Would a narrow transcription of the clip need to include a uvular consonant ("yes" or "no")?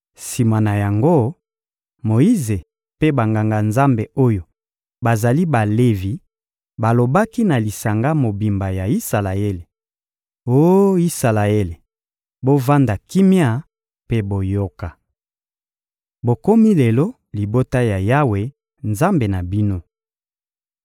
no